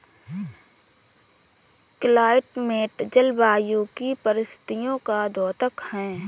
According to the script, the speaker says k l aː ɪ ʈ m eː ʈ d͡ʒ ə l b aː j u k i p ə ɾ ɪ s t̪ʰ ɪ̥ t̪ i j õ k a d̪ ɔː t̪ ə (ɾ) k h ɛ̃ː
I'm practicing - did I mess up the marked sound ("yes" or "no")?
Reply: yes